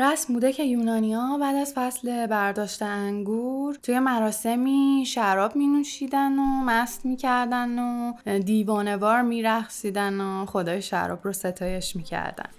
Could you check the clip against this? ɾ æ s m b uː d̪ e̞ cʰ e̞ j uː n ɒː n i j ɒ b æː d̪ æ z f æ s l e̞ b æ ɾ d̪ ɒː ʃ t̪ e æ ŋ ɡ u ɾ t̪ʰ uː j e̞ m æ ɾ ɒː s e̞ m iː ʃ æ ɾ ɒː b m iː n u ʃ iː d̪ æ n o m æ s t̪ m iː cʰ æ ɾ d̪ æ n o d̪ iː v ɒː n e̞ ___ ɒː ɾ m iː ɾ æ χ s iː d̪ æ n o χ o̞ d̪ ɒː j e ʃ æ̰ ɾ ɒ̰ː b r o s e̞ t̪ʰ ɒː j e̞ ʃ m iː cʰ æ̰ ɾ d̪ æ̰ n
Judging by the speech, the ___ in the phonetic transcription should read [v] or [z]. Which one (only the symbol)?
v